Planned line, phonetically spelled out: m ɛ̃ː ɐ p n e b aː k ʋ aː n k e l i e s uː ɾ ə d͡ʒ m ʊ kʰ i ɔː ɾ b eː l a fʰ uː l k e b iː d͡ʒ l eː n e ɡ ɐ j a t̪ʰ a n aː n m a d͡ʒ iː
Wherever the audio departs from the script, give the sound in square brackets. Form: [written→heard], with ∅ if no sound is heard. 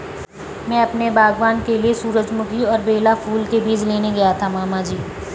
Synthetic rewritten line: m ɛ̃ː ɐ p n e b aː [k→ɡ] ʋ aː n k e l i e s uː ɾ ə d͡ʒ m ʊ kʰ i ɔː ɾ b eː l a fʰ uː l k e b iː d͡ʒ l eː n e ɡ ɐ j a t̪ʰ a [n→m] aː [n→∅] m a d͡ʒ iː

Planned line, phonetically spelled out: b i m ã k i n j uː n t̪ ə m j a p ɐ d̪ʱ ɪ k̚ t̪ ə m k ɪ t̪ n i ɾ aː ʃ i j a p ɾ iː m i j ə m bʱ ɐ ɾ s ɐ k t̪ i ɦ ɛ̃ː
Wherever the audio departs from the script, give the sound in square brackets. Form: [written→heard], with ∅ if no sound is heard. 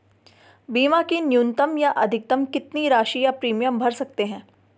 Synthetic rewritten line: b [i→iː] m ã k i n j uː n t̪ ə m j a [p→ʔ] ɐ d̪ʱ ɪ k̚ t̪ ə m k ɪ t̪ n i ɾ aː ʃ i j a p ɾ iː m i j ə m bʱ ɐ ɾ s ɐ k t̪ [i→e] ɦ ɛ̃ː

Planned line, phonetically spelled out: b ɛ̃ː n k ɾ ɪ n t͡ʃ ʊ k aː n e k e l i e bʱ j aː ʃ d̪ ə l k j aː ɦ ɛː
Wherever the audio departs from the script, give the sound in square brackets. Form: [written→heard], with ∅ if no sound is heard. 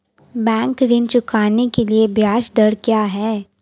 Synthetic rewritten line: b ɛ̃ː [n→ŋ] k ɾ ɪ n t͡ʃ ʊ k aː n e k e l i e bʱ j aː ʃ d̪ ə [l→ɾ] k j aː ɦ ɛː

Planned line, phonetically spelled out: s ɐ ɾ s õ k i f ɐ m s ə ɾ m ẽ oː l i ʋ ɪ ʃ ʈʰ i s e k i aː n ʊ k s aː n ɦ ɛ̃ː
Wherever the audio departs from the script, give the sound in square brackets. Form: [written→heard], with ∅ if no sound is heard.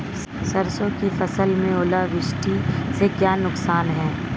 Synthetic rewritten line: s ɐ ɾ s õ k i f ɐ [m→∅] s ə [ɾ→l] m ẽ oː l [i→a] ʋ ɪ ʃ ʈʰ i s e k [i→j] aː n ʊ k s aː n ɦ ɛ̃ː

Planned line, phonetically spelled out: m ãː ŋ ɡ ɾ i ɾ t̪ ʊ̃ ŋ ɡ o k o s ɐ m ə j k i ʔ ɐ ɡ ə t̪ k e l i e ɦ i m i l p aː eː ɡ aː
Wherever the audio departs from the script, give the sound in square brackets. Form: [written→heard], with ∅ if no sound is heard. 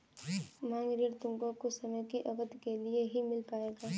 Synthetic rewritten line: m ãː ŋ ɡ ɾ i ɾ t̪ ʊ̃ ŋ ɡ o k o s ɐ m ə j k i ʔ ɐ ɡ ə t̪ k e l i e ɦ i m [i→ɪ] l p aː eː ɡ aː

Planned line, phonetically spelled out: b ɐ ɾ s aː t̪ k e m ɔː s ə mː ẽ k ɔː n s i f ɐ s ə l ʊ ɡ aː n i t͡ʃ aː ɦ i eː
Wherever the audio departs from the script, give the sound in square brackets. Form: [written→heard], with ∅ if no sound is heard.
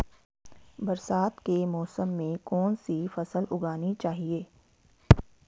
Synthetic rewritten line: b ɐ ɾ s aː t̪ k e m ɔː s ə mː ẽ k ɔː n s i f ɐ s ə l ʊ ɡ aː n i t͡ʃ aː ɦ i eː

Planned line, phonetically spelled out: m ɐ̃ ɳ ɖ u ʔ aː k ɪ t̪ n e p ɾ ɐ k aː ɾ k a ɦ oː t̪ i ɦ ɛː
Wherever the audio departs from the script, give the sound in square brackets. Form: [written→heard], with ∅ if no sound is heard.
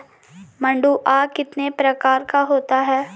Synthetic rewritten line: m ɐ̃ ɳ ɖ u ʔ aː k ɪ t̪ n e p ɾ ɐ k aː ɾ k a ɦ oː t̪ [i→a] ɦ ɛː

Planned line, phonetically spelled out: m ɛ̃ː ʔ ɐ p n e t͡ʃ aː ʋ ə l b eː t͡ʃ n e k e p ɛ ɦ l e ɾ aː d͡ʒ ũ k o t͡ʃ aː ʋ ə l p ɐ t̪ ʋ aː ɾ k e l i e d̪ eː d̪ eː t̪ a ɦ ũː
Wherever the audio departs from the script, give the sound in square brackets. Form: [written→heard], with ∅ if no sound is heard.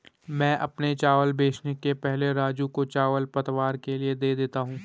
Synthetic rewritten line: m ɛ̃ː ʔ ɐ p n e t͡ʃ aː ʋ ə l b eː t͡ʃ n e k e p ɛ ɦ l e ɾ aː d͡ʒ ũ k o t͡ʃ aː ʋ ə l p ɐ t̪ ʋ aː ɾ k e l i e d̪ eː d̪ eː t̪ a ɦ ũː

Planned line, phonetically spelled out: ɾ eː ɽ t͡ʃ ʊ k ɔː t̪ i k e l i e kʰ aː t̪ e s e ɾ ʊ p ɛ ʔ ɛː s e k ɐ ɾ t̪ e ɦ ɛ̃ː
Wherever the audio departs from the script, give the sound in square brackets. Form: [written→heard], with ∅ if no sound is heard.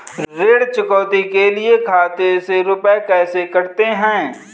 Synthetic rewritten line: ɾ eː ɽ t͡ʃ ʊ k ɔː t̪ i k e l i e kʰ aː t̪ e s e ɾ ʊ p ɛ [ʔ→k] ɛː s e k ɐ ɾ t̪ e ɦ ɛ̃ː

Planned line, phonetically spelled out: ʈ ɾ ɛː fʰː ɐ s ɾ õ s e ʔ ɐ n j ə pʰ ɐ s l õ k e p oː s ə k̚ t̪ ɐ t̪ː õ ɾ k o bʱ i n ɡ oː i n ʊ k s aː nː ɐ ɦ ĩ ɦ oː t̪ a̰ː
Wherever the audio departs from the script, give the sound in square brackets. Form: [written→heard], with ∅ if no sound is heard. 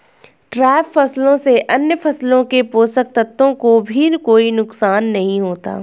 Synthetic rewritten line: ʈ ɾ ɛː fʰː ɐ s [ɾ→l] õ s e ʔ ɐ n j ə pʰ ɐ s l õ k e p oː s ə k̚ t̪ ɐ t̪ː õ [ɾ→∅] k o bʱ i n [ɡ→k] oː i n ʊ k s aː nː ɐ ɦ ĩ ɦ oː t̪ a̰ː

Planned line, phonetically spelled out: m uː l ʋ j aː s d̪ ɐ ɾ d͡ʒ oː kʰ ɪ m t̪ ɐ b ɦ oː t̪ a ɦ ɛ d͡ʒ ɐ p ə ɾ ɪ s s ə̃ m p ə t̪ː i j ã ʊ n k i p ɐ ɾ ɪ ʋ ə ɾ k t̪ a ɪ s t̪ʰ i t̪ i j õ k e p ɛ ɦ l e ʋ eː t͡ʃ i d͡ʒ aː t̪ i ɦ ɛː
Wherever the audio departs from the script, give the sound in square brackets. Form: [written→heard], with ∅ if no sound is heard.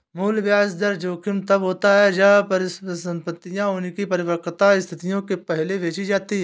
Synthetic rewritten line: m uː l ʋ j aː s d̪ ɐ ɾ d͡ʒ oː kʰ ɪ m t̪ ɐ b ɦ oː t̪ a ɦ ɛ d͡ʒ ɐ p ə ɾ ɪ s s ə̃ m p ə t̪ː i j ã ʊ n k i p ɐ ɾ ɪ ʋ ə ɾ k t̪ a ɪ s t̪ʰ [i→ɪ] t̪ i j õ k e p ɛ ɦ l e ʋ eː t͡ʃ i d͡ʒ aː t̪ i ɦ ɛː

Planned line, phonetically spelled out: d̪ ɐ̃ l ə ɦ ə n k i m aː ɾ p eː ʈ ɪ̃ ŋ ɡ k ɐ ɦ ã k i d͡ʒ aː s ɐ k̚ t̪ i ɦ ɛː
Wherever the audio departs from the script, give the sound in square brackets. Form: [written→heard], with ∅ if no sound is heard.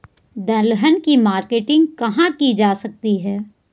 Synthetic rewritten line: d̪ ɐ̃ l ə ɦ ə n k i m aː ɾ [p→k] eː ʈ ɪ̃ ŋ ɡ k ɐ ɦ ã k i d͡ʒ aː s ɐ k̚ t̪ i ɦ ɛː

